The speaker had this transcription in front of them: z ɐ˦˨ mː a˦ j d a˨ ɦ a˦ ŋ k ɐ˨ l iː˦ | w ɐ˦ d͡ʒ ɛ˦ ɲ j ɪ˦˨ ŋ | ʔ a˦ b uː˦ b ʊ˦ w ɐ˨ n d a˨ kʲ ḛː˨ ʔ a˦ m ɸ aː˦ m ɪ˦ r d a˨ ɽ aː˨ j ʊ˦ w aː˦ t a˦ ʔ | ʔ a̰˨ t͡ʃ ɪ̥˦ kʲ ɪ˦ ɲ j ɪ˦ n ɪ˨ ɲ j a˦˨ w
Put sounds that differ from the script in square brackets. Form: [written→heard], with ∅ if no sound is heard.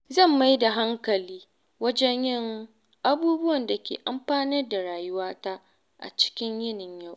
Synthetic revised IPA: z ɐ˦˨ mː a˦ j d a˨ ɦ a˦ ŋ k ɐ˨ l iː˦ | w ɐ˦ d͡ʒ ɛ˦ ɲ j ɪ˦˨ ŋ | ʔ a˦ b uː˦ b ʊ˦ w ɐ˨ n d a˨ kʲ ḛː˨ ʔ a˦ m ɸ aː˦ [m→n] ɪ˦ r d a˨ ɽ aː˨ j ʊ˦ w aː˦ t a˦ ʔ | ʔ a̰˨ t͡ʃ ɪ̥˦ kʲ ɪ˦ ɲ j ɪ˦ n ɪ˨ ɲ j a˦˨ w